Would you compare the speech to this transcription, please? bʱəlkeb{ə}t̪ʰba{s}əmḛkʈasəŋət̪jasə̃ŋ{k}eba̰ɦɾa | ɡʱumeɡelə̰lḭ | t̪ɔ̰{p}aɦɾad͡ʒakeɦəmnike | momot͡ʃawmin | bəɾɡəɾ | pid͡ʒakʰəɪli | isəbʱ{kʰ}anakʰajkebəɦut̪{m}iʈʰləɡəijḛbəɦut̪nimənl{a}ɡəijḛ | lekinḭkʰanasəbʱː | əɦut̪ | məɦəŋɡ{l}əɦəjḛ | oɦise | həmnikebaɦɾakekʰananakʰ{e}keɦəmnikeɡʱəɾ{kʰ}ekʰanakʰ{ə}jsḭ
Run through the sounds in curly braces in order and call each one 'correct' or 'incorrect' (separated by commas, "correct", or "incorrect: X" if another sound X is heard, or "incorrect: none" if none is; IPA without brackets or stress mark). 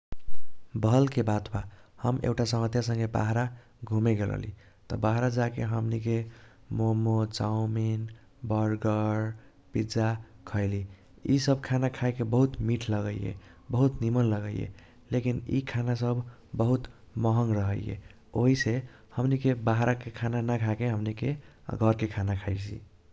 incorrect: a, incorrect: h, incorrect: ɡ, incorrect: b, correct, correct, incorrect: ə, incorrect: ɾ, incorrect: a, incorrect: k, incorrect: a